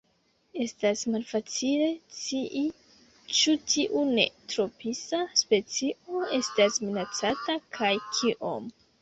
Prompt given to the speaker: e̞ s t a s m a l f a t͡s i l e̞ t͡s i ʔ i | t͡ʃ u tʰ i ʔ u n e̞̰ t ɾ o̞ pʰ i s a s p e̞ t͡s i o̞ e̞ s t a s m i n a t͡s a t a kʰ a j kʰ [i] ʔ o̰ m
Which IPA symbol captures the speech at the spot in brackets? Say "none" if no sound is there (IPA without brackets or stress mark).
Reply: i